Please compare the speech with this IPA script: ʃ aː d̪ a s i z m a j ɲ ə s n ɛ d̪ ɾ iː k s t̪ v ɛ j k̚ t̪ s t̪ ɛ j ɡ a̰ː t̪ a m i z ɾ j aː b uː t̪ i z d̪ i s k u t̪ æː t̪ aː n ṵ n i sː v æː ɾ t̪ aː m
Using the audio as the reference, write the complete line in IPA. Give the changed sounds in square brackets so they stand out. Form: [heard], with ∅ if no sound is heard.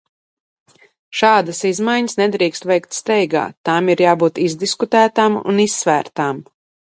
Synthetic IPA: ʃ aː d̪ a s i z m a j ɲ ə s n ɛ d̪ ɾ iː k s t̪ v ɛ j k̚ t̪ s t̪ ɛ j ɡ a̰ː t̪ a m i [∅] ɾ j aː b uː t̪ i z d̪ i s k u t̪ æː t̪ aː [m] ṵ n i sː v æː ɾ t̪ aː m